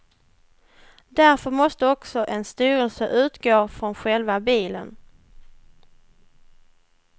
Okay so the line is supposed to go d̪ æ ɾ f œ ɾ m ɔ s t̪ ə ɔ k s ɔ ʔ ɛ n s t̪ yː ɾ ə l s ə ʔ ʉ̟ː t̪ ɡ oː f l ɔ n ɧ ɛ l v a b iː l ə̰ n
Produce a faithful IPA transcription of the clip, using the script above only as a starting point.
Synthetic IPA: d̪ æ ɾ f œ ɾ m ɔ s t̪ ə ɔ k s ɔ ʔ ɛ n s t̪ yː ɾ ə l s ə ʔ ʉ̟ː t̪ ɡ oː f ɾ ɔ n ɧ ɛ l v a b iː l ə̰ n